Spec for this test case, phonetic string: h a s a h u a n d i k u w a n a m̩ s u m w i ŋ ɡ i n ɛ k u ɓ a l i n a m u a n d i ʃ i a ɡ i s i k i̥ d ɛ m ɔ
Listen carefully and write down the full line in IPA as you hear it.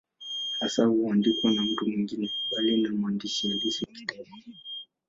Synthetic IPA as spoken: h a s a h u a n d i k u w a n a m̩ t u m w i ŋ ɡ i n ɛ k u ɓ a l i n a m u a n d i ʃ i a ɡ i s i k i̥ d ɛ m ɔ

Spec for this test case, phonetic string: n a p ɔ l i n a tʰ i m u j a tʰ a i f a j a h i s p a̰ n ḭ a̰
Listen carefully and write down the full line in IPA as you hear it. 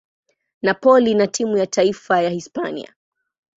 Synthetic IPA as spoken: n a p ɔ l i n a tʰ i m u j a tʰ a i f a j a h i s p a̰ n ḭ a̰

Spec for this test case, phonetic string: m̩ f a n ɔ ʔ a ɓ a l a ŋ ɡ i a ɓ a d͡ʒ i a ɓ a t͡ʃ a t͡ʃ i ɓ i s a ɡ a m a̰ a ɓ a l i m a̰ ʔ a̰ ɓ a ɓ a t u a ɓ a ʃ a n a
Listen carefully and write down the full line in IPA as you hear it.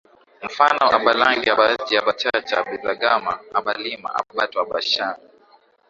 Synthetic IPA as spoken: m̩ f a n ɔ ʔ a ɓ a l a ŋ ɡ i a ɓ a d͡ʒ i a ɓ a t͡ʃ a t͡ʃ a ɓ i z a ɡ a m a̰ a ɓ a l i m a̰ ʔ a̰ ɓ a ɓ a t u a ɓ a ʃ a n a

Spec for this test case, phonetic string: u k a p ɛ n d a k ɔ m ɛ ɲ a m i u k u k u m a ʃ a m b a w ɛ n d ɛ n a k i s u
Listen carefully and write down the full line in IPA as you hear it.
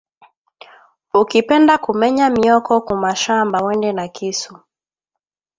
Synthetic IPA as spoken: u k i p ɛ n d a k u m ɛ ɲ a m i ɔ k ɔ k u m a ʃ a m b a w ɛ n d ɛ n a k i s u

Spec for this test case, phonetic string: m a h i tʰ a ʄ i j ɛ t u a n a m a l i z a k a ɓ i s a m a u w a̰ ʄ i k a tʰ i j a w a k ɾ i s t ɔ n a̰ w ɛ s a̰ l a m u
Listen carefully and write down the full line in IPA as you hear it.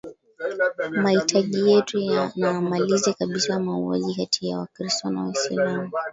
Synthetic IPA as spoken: m a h i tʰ a ʄ i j ɛ t u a n a m a l i z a k a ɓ i s a m a u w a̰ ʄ i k a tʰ i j a w a k ɾ i s t ɔ n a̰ w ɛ s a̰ l a m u

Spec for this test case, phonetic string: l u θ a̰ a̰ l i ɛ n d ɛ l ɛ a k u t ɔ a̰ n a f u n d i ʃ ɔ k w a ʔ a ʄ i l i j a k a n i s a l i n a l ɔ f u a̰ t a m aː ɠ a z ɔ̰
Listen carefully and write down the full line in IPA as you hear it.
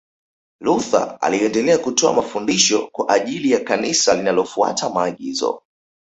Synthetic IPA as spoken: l u θ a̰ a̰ l i ɛ n d ɛ l ɛ a k u t ɔ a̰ m a f u n d i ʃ ɔ k w a ʔ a ʄ i l i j a k a n i s a l i n a l ɔ f u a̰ t a m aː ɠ i z ɔ̰

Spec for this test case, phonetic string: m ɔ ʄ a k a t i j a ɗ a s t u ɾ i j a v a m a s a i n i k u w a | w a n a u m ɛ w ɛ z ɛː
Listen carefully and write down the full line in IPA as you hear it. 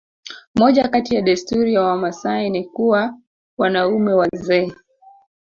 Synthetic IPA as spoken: m ɔ ʄ a k a t i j a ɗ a s t u ɾ i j a w a m a s a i n i k u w a | w a n a u m ɛ w a z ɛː

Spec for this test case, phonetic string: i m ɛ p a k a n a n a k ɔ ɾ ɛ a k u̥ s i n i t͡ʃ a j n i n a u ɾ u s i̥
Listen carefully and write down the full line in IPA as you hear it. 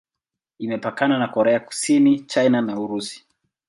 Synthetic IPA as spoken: i m ɛ p a k a n a n a k ɔ ɾ ɛ a k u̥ s i n i t͡ʃ a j n a n a u ɾ u s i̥

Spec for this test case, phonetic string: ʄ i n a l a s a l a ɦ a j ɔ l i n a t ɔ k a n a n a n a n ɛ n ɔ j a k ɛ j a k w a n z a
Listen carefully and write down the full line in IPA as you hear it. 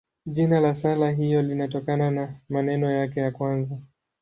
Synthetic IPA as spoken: ʄ i n a l a s a l a ɦ i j ɔ l i n a t ɔ k a n a n a m a n ɛ n ɔ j a k ɛ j a k w a n z a

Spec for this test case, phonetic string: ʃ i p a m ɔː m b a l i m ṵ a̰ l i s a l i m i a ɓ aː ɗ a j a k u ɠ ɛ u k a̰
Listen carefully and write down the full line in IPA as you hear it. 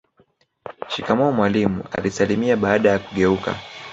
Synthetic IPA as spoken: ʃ i k a m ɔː m w a l i m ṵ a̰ l i s a l i m i a ɓ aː ɗ a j a k u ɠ ɛ u k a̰

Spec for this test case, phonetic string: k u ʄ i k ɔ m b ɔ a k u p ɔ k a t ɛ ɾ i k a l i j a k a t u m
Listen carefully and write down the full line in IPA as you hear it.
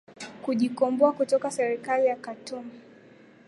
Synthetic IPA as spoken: k u ʄ i k ɔ m b ɔ a k u t ɔ k a s ɛ ɾ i k a l i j a k a t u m

